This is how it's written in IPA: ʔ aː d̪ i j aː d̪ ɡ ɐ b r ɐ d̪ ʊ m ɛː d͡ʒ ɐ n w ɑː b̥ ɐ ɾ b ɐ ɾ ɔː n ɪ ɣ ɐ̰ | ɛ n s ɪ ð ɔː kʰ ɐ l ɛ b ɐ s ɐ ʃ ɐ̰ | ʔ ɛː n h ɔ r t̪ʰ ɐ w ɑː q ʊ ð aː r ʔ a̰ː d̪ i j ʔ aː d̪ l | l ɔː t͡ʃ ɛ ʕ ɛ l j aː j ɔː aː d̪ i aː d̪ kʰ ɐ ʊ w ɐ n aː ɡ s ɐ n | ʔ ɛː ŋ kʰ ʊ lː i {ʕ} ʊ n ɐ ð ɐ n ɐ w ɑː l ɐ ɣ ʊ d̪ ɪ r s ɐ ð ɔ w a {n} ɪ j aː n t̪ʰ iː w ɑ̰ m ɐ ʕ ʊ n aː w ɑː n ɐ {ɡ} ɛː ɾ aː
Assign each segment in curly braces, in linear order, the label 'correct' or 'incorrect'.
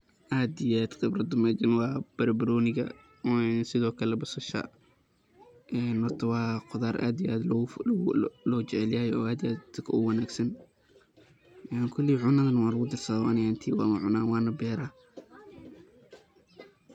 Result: correct, correct, incorrect: b

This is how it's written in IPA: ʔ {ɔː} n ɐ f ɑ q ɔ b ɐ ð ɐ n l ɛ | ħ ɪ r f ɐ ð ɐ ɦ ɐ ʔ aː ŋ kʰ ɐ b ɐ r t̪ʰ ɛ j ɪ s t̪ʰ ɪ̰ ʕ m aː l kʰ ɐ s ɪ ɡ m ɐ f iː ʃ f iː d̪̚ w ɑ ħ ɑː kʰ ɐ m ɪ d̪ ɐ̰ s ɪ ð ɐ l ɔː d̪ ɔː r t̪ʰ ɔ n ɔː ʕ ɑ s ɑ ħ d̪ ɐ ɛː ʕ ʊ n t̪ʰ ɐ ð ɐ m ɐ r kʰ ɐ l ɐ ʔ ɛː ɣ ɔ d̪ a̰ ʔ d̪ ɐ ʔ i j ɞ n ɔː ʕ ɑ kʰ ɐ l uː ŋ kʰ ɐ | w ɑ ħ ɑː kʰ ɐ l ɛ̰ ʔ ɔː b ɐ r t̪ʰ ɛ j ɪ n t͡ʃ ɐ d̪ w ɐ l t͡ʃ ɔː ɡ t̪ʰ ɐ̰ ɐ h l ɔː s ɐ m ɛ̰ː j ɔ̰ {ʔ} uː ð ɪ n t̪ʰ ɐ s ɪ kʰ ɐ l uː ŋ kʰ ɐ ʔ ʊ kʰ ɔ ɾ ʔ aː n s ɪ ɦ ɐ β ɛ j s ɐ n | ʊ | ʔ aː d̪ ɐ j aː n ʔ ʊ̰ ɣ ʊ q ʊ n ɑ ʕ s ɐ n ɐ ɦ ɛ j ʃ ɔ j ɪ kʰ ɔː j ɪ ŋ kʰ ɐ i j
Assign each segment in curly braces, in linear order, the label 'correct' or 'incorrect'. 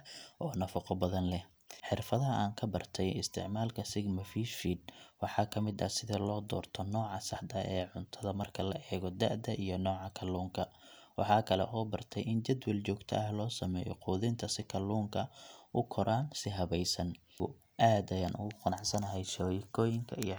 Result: correct, incorrect: q

